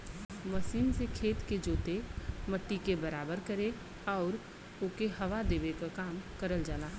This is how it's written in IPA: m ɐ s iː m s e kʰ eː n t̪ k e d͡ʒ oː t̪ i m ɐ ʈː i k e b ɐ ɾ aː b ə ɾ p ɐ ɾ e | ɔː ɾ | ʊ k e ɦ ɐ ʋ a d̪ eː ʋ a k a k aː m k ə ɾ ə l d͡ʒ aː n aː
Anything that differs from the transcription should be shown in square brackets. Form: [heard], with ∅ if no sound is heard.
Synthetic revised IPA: m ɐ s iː m s e kʰ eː [∅] t̪ k e d͡ʒ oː t̪ [e] m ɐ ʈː i k e b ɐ ɾ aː b ə ɾ [k] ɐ ɾ e | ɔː ɾ | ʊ k e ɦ ɐ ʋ a d̪ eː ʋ [e] k a k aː m k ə ɾ ə l d͡ʒ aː n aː